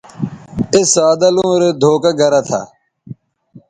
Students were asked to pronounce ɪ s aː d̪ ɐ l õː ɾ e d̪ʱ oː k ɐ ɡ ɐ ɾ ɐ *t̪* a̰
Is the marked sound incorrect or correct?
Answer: incorrect